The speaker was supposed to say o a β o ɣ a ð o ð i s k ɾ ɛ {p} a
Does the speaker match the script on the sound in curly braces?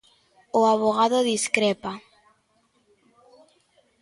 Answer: yes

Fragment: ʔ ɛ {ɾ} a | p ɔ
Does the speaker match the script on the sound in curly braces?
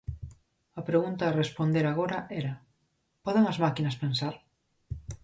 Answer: yes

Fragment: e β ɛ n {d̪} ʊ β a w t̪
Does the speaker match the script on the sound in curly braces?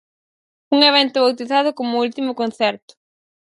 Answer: no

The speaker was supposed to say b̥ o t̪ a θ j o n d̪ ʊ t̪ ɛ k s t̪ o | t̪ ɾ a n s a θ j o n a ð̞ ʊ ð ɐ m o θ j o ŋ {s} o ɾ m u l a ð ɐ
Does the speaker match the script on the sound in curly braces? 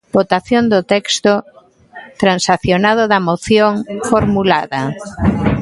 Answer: no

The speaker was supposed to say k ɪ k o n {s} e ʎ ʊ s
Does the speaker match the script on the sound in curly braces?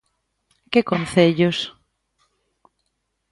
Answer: no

